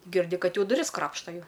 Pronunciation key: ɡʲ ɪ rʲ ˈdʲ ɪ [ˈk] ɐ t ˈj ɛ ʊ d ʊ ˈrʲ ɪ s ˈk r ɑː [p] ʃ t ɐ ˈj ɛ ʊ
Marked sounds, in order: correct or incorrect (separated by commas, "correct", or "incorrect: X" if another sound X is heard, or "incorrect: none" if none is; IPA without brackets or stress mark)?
correct, correct